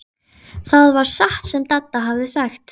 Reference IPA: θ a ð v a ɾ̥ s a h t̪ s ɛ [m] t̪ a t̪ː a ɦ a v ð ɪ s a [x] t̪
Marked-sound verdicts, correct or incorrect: correct, correct

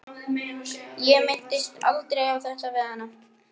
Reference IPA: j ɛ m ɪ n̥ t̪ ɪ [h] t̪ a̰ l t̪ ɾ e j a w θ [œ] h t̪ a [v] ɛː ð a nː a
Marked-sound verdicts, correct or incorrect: incorrect: s, incorrect: ɛ, correct

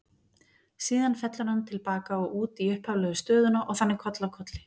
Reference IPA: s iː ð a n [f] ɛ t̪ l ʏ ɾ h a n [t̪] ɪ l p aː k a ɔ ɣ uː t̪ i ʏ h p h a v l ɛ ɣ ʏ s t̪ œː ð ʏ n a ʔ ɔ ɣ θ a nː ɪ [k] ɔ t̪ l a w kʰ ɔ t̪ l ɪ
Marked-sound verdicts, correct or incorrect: correct, incorrect: t̪ʰ, incorrect: kʰ

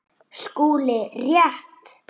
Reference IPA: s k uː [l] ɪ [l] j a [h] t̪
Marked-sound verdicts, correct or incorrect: correct, incorrect: r, correct

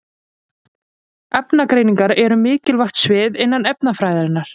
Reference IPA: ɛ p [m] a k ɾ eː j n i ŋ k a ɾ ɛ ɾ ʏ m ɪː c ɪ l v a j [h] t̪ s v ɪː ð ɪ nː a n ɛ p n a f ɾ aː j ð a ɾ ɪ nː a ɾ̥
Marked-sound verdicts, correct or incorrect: incorrect: n, incorrect: x

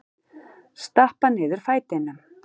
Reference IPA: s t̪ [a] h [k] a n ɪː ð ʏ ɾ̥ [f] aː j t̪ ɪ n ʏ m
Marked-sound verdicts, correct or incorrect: correct, incorrect: p, correct

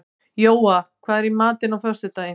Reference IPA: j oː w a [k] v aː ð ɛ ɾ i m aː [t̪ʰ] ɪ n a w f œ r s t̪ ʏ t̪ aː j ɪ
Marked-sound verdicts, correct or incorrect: incorrect: kʰ, incorrect: t̪

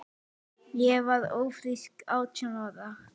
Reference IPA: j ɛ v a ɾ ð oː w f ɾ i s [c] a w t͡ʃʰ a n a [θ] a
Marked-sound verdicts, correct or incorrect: incorrect: k, incorrect: ð

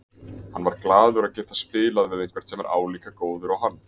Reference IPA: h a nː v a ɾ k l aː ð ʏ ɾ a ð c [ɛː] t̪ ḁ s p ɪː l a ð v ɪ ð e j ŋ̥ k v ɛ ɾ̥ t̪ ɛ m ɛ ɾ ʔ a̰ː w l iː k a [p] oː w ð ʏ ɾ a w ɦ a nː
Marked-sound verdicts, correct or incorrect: correct, incorrect: k

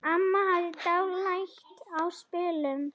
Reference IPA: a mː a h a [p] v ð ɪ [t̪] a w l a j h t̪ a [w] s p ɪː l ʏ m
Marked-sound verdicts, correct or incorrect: incorrect: none, correct, correct

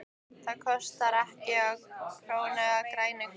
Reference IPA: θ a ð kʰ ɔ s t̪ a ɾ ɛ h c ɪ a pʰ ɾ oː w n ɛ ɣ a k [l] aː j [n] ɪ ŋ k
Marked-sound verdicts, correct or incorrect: incorrect: ɾ, correct

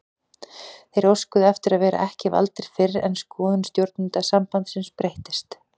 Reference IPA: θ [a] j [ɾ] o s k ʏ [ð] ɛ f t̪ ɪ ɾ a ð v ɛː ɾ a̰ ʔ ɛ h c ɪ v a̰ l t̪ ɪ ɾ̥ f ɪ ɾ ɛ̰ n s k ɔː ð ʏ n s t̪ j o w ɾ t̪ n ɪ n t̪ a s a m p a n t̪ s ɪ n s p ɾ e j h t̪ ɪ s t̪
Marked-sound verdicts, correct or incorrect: incorrect: e, correct, correct

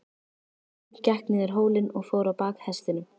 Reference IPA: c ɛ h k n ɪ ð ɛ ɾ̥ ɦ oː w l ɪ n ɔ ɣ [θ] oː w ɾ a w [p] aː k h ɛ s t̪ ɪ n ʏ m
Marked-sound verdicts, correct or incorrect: incorrect: f, correct

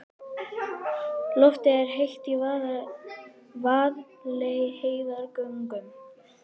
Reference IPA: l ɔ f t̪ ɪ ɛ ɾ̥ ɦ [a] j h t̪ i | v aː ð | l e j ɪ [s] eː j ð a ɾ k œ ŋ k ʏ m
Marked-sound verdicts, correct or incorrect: incorrect: e, incorrect: h

